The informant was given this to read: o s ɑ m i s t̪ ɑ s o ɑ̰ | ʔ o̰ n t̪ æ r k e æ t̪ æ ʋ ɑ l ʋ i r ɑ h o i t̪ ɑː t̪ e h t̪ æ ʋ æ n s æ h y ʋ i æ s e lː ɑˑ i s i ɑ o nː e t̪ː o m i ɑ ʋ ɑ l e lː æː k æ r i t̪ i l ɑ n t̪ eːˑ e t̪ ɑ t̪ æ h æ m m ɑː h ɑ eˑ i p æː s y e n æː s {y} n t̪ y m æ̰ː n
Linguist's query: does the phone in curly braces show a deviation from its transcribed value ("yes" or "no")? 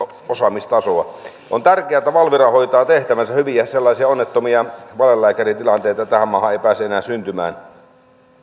no